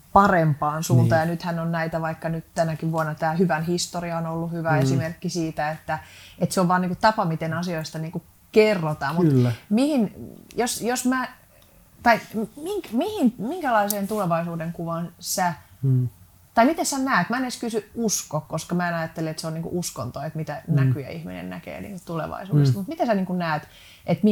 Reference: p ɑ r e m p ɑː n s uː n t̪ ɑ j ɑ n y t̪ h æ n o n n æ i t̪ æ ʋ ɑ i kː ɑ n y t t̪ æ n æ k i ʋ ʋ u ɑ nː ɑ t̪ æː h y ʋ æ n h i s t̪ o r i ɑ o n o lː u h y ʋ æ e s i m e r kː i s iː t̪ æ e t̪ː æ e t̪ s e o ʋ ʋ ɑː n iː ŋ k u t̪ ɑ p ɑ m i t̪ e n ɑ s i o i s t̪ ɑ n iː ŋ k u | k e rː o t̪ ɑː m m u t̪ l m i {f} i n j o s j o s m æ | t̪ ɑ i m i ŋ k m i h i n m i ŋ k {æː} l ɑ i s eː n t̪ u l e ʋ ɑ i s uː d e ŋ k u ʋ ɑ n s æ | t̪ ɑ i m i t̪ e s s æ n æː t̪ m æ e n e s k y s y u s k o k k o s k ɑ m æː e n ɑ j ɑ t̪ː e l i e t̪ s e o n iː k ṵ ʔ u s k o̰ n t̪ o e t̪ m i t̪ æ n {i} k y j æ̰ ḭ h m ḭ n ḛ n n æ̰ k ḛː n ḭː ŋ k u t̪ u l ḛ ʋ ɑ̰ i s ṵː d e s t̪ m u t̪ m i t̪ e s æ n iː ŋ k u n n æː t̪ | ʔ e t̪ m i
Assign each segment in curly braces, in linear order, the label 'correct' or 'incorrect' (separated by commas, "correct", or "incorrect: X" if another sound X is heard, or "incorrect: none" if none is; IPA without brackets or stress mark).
incorrect: h, incorrect: æ, incorrect: æ